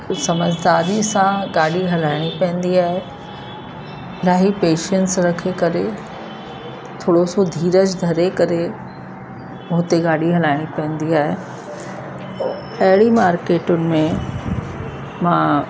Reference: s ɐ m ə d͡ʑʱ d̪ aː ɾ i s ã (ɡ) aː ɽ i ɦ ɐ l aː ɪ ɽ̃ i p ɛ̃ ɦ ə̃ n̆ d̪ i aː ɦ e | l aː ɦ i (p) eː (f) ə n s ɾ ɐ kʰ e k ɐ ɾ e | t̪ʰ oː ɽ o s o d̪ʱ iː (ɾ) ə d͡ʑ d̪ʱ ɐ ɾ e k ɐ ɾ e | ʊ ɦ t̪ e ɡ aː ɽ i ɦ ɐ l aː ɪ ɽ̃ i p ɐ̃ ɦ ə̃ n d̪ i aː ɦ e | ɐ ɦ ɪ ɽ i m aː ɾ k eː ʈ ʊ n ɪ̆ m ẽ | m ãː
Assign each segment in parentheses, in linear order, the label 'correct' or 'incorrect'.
correct, correct, incorrect, correct

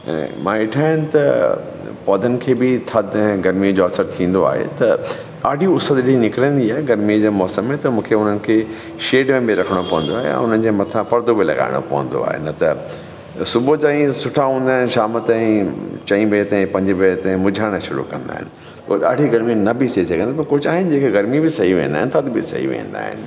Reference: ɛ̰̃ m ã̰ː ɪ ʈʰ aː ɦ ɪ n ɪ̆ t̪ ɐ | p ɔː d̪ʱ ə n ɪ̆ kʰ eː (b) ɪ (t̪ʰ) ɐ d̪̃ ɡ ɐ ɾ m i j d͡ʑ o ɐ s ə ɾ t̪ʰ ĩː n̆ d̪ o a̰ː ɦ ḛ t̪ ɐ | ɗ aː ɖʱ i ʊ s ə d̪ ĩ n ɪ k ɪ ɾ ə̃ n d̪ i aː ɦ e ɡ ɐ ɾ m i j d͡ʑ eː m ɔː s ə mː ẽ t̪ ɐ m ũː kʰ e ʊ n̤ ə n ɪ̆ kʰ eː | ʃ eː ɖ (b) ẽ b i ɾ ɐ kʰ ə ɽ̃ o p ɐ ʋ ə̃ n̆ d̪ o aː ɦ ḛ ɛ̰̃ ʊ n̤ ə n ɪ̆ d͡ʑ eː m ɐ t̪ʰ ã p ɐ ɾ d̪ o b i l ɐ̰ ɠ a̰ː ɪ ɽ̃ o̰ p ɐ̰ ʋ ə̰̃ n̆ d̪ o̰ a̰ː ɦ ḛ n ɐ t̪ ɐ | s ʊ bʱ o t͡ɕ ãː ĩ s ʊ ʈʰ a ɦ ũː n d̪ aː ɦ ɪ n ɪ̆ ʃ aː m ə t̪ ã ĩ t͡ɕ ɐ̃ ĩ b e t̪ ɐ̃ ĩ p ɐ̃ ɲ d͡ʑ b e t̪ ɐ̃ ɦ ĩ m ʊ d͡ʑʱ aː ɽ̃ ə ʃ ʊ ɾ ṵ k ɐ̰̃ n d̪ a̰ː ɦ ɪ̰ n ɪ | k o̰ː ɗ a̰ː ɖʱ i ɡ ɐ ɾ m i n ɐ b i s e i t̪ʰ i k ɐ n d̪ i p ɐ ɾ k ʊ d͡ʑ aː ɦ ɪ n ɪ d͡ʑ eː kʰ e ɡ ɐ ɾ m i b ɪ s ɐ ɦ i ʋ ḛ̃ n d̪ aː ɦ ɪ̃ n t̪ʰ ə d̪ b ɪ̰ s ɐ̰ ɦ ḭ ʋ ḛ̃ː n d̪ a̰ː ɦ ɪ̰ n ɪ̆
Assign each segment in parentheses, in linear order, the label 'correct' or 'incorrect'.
correct, correct, incorrect

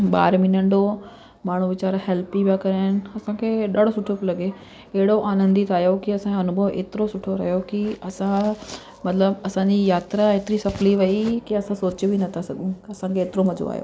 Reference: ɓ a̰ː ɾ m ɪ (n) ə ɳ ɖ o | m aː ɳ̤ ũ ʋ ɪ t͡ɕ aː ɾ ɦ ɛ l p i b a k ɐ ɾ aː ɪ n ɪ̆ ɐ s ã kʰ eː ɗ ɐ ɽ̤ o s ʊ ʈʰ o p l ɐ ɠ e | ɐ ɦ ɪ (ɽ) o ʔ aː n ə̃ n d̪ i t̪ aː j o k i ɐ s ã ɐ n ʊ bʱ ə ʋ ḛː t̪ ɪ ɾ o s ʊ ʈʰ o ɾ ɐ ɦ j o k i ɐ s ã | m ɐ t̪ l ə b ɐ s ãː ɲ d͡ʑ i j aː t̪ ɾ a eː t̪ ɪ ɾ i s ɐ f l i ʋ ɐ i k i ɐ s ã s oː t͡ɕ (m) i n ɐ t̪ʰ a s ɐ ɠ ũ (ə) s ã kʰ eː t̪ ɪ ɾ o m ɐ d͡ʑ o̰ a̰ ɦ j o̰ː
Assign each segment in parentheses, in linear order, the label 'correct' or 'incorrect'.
correct, correct, incorrect, incorrect

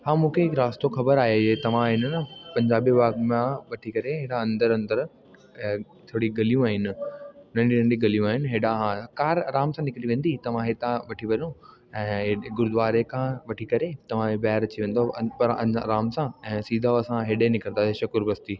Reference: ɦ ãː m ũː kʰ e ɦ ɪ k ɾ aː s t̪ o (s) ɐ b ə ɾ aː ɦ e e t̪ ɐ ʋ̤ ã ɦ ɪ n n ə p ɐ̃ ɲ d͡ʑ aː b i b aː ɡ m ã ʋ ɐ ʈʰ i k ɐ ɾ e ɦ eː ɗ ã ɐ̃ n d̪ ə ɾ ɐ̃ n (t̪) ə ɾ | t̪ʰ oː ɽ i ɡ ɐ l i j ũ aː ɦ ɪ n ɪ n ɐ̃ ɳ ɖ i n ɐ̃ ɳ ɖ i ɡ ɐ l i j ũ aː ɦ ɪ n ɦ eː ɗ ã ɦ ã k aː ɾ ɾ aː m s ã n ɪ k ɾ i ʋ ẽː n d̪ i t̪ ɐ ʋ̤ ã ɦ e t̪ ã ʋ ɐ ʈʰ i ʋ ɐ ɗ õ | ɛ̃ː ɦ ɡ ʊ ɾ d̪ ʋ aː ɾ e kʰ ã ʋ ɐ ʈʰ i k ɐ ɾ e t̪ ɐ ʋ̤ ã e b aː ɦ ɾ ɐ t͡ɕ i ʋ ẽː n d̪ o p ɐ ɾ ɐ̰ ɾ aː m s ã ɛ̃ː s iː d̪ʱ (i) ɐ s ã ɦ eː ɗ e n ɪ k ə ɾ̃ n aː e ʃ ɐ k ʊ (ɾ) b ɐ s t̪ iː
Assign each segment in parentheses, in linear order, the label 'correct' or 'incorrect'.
incorrect, incorrect, incorrect, correct

